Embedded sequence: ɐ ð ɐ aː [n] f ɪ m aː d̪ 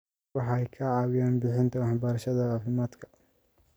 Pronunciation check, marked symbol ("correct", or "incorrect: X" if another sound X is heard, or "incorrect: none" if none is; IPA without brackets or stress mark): incorrect: none